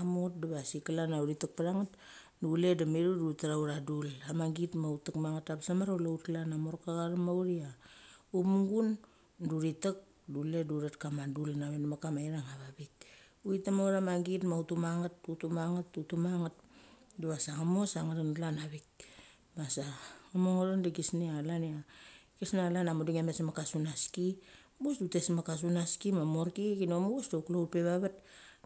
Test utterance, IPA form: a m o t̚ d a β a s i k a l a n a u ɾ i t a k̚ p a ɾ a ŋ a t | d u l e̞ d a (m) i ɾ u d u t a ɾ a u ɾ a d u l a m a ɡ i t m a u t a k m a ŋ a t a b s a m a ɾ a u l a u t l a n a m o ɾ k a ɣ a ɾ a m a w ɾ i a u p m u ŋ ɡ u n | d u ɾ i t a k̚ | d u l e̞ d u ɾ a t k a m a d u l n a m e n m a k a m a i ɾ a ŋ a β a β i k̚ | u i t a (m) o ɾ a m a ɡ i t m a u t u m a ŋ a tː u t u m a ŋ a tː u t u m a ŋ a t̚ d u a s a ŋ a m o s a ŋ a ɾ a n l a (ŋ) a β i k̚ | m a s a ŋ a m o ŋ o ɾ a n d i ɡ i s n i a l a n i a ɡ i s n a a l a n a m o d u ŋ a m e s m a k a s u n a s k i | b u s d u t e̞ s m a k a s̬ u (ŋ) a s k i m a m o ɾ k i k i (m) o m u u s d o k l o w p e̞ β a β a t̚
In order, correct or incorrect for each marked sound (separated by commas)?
correct, correct, incorrect, incorrect, incorrect